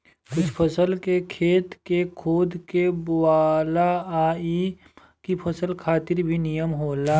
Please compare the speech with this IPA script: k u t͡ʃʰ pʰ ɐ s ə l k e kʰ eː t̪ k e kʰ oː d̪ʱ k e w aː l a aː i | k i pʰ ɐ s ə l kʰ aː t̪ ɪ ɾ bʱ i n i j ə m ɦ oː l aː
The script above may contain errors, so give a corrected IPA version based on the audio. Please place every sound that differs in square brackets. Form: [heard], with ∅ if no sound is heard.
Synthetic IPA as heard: k [ʊ] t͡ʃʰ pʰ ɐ s ə l k e kʰ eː t̪ k e kʰ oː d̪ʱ k e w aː l a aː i | k i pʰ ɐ s ə l kʰ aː t̪ ɪ ɾ bʱ i n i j ə m ɦ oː l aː